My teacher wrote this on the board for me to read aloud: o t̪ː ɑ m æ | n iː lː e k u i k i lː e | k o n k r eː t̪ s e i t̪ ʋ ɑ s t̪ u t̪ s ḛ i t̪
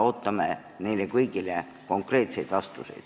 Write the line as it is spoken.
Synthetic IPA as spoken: o t̪ː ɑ m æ | n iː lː e k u i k i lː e | k o ŋ k r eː t̪ s e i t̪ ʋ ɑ s t̪ u s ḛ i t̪